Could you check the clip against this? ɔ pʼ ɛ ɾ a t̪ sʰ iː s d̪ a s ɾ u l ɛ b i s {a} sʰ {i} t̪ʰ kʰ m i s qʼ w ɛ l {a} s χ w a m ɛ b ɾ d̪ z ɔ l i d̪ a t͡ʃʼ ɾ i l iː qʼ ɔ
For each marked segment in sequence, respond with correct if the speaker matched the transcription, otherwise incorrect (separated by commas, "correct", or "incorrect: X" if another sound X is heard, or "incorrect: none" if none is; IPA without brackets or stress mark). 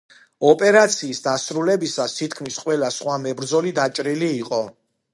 correct, correct, correct